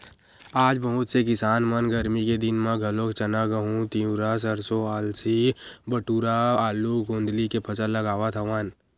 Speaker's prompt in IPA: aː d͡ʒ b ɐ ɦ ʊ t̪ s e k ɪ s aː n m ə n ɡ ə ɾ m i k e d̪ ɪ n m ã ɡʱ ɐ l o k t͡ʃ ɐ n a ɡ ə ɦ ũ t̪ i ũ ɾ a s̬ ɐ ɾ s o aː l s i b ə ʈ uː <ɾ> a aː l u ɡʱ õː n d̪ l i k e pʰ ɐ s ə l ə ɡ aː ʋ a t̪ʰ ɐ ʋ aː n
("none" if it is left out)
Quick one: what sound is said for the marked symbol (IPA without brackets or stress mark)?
ɾ